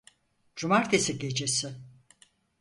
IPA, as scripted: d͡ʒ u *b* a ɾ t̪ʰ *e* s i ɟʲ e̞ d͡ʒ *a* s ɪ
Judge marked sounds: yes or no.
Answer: no, yes, no

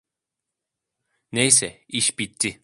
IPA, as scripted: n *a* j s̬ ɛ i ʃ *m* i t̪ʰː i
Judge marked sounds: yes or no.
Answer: no, no

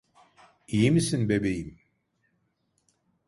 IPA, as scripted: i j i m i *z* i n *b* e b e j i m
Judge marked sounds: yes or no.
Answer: no, yes

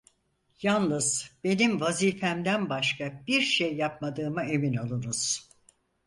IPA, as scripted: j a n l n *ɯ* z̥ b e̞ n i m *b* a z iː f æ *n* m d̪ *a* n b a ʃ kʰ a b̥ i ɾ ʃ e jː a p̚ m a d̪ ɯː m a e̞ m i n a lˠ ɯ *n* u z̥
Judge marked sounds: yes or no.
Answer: yes, no, no, no, yes

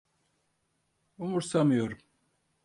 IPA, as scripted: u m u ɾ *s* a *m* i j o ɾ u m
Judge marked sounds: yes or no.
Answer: yes, yes

